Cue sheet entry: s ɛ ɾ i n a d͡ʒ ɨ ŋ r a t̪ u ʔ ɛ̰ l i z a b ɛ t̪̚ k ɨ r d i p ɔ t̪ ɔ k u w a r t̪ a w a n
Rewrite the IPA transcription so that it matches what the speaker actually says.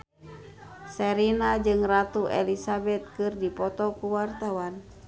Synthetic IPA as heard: s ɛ ɾ i n a d͡ʒ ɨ ŋ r a t̪ u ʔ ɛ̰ l i s a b ɛ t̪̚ k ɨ r d i p ɔ t̪ ɔ k u w a r t̪ a w a n